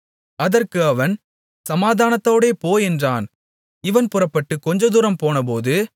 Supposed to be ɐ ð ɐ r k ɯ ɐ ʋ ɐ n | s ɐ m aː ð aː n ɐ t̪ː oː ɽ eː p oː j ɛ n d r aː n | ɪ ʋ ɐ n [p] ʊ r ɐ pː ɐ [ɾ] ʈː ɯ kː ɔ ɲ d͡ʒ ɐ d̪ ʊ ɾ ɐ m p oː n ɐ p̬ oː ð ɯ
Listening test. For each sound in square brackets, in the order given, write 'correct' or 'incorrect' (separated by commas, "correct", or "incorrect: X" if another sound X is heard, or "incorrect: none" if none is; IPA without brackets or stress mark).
correct, incorrect: none